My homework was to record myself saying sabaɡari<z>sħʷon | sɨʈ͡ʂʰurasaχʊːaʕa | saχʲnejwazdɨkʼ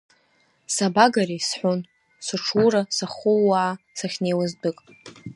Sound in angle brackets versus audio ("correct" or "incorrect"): incorrect